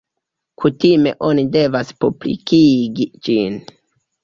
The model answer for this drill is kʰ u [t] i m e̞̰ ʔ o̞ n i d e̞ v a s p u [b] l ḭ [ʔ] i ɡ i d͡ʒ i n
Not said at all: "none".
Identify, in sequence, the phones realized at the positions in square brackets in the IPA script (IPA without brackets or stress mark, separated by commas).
t, b, k